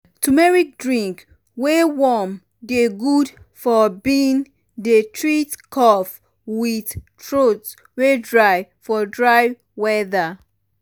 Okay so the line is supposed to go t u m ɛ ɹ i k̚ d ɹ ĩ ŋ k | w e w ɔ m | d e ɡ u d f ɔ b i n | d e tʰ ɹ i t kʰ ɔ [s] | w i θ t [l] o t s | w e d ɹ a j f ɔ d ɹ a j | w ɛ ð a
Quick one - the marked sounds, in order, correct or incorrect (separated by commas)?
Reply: incorrect, incorrect